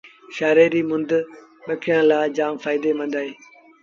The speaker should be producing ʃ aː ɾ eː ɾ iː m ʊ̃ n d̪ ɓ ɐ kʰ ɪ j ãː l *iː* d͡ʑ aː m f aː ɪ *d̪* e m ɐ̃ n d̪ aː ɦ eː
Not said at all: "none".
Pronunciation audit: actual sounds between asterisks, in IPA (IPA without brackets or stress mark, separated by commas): aː, d̪